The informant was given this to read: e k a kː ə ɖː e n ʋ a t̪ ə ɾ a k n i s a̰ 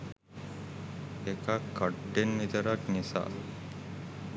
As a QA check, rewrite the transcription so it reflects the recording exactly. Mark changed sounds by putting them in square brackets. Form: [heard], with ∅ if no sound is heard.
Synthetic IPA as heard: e k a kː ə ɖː e n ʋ [i] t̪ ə ɾ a k n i s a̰